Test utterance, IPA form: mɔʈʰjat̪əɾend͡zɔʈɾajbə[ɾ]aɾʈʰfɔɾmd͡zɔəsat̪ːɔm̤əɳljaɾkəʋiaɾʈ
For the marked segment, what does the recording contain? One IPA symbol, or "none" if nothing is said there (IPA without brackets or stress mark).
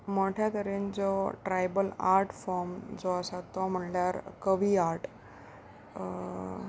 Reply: l